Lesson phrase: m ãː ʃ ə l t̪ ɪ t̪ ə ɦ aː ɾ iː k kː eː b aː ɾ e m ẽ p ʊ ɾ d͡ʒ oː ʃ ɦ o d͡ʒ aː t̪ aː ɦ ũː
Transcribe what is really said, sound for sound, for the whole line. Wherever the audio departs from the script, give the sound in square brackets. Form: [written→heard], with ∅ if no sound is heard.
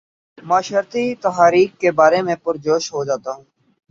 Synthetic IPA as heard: m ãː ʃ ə [l→ɾ] t̪ [ɪ→i] t̪ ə ɦ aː ɾ iː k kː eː b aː ɾ e m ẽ p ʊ ɾ d͡ʒ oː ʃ ɦ o d͡ʒ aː t̪ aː ɦ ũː